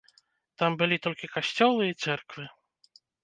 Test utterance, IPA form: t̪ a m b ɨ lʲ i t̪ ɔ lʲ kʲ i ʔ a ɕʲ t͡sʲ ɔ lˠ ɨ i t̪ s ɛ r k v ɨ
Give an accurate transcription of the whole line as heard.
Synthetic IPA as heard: t̪ a m b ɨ lʲ i t̪ ɔ lʲ kʲ i k a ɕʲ t͡sʲ ɔ lˠ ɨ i t̪ s ɛ r k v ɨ